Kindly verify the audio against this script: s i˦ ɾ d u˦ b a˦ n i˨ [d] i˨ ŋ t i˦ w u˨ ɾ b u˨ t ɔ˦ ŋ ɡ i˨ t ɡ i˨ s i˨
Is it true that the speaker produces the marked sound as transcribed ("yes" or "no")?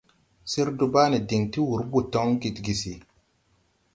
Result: yes